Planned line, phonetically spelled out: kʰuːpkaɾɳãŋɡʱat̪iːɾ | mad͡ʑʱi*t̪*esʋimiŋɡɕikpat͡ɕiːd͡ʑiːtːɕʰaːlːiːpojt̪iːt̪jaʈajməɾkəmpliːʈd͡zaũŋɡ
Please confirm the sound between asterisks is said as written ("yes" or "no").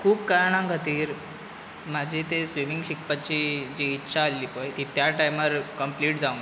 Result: yes